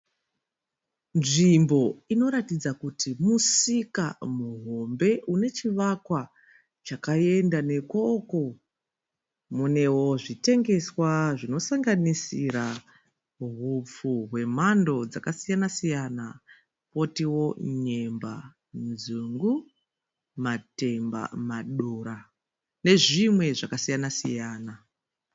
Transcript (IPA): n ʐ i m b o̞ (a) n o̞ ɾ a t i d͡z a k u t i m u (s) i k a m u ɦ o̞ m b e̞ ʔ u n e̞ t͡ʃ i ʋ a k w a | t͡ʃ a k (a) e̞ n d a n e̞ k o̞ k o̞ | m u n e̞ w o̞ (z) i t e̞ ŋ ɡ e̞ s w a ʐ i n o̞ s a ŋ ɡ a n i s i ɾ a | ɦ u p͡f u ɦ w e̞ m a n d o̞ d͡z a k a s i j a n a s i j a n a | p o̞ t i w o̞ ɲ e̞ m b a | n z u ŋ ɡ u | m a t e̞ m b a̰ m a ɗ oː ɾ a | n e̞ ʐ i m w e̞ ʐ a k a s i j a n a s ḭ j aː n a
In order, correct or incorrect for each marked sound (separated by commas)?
incorrect, correct, correct, incorrect